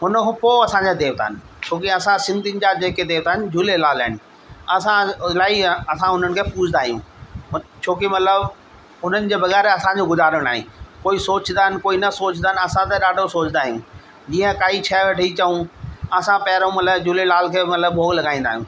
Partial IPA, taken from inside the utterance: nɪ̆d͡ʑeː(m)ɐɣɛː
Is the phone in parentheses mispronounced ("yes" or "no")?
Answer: yes